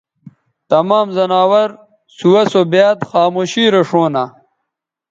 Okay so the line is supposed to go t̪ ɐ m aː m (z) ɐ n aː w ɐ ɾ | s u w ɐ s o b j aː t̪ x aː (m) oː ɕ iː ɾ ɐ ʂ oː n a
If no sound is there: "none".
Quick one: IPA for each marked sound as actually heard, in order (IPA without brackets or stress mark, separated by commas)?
z, m